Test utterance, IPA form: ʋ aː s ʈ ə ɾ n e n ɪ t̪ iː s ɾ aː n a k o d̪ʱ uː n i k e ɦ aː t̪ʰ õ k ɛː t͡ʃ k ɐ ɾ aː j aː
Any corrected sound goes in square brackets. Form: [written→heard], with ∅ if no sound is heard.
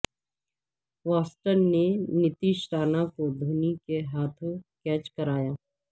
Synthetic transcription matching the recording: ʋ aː s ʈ ə ɾ n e n ɪ t̪ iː [s→ʃ] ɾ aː n a k o d̪ʱ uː n i k e ɦ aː t̪ʰ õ k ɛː t͡ʃ k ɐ ɾ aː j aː

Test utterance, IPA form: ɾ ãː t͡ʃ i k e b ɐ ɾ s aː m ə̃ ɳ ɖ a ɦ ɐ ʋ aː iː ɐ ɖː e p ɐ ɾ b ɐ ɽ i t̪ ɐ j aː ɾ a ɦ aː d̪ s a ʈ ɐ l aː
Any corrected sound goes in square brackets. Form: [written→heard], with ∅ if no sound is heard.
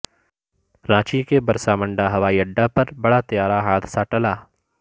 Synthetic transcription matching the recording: ɾ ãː t͡ʃ i k e b ɐ ɾ s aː m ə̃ ɳ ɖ a ɦ ɐ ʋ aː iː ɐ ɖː [e→a] p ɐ ɾ b ɐ ɽ [i→a] t̪ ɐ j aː ɾ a ɦ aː d̪ s a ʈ ɐ l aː

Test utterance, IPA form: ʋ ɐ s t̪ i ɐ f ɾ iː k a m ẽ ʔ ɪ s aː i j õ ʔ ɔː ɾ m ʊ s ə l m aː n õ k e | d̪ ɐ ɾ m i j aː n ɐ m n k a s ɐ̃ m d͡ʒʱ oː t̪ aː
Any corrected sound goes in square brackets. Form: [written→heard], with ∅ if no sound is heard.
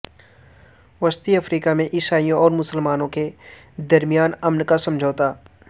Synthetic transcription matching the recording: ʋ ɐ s t̪ i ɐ f ɾ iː k a m ẽ ʔ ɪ s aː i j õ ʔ ɔː ɾ m ʊ s ə l m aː n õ k e | d̪ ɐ ɾ m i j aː n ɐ m n k a s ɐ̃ m d͡ʒʱ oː t̪ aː

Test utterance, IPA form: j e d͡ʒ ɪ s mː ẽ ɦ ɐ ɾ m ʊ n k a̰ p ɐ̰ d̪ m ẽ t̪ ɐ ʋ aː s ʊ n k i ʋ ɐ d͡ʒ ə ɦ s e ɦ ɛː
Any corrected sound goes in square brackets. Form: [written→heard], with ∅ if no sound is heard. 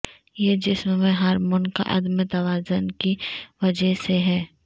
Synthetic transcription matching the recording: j e d͡ʒ ɪ s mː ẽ ɦ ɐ ɾ m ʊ n k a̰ [p→ʔ] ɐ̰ d̪ m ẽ t̪ ɐ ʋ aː [s→z] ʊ n k i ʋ ɐ d͡ʒ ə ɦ s e ɦ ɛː

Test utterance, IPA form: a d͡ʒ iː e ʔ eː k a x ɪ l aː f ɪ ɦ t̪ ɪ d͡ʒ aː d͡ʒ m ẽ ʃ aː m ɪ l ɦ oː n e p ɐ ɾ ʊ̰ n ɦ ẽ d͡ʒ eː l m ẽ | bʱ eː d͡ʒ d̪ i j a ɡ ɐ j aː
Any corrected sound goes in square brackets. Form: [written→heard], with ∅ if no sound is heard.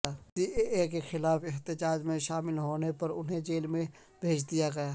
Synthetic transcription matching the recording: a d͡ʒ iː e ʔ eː k [a→e] x ɪ l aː f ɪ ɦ t̪ ɪ d͡ʒ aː d͡ʒ m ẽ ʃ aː m ɪ l ɦ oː n e p ɐ ɾ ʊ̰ n ɦ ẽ d͡ʒ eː l m ẽ | bʱ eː d͡ʒ d̪ i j a ɡ ɐ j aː

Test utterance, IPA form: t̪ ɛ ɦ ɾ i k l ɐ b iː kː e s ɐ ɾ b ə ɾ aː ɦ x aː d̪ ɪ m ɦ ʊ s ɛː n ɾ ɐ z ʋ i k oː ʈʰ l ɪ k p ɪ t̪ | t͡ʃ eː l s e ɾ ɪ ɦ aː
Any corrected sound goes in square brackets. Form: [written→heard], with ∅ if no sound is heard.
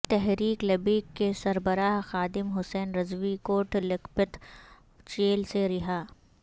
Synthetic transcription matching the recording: t̪ ɛ ɦ ɾ [i→iː] k l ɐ b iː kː e s ɐ ɾ b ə ɾ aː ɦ x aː d̪ ɪ m ɦ ʊ s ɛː n ɾ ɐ z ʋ i k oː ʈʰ l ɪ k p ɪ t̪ | t͡ʃ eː l s e ɾ ɪ ɦ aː

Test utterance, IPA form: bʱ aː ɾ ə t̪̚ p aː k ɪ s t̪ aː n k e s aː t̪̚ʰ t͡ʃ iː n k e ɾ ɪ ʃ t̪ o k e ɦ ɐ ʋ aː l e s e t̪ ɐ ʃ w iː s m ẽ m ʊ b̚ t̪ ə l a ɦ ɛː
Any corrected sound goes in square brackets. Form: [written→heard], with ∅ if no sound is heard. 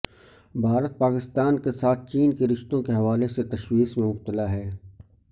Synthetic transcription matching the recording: bʱ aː ɾ ə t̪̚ p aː k ɪ s t̪ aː n k e s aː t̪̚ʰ t͡ʃ iː n k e ɾ ɪ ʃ t̪ [o→õ] k e ɦ ɐ ʋ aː l e s e t̪ ɐ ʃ w iː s m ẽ m ʊ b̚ t̪ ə l a ɦ ɛː

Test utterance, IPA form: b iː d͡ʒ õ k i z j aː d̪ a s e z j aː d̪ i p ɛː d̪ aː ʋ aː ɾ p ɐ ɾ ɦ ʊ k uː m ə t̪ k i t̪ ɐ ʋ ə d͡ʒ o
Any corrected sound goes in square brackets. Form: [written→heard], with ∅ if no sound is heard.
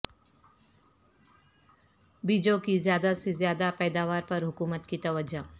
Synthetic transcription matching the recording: b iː d͡ʒ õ k i z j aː d̪ a s e z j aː d̪ [i→a] p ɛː d̪ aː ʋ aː ɾ p ɐ ɾ ɦ ʊ k uː m ə t̪ k i t̪ ɐ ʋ ə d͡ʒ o

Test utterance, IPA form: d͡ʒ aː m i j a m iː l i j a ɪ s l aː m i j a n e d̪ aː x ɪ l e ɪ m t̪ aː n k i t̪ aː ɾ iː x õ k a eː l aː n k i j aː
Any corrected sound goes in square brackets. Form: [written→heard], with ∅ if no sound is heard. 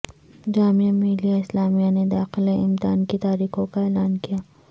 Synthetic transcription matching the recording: d͡ʒ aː m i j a m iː l i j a ɪ s l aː m i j a n e d̪ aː x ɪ l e ɪ m t̪ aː n k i t̪ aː ɾ iː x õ k a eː l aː n k i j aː

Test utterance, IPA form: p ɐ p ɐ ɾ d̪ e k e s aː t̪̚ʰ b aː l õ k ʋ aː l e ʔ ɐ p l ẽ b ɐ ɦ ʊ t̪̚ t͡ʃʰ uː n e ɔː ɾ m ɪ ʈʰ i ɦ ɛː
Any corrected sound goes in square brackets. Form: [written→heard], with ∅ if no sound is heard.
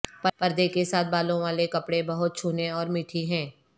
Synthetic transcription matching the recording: p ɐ p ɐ ɾ d̪ e k e s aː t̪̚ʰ b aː l õ [k→∅] ʋ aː l e [ʔ→k] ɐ p [l→ɽ] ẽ b ɐ ɦ ʊ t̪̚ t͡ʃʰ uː n e ɔː ɾ m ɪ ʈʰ i ɦ [ɛː→ɛ̃ː]

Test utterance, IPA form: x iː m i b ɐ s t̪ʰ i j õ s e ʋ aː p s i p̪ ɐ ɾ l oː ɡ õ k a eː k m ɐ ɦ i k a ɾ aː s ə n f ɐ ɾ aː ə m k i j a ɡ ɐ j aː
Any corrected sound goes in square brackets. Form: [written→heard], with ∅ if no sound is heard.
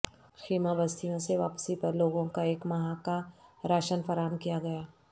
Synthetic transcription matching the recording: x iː m [i→a] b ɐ s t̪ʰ i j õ s e ʋ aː p s i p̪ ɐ ɾ l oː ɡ õ k a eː k m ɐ ɦ [i→a] k a ɾ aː [s→ʃ] ə n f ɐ ɾ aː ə m k i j a ɡ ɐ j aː

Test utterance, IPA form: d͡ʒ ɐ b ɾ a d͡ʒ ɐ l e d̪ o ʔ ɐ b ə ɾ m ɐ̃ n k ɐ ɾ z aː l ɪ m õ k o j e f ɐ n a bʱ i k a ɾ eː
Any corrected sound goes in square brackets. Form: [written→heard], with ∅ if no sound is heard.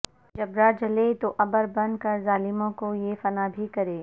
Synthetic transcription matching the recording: d͡ʒ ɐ b ɾ a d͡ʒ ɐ l e [d̪→t̪] o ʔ ɐ b ə ɾ [m→b] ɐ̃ n k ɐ ɾ z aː l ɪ m õ k o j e f ɐ n a bʱ i k [a→ɐ] ɾ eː

